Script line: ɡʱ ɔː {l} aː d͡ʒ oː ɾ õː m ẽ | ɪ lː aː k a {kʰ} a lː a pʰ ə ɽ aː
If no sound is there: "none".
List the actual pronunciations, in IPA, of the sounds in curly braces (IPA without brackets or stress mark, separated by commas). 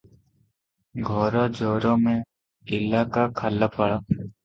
ɾ, kʰ